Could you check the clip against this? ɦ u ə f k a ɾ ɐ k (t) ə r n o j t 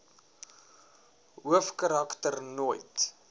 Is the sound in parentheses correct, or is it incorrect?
correct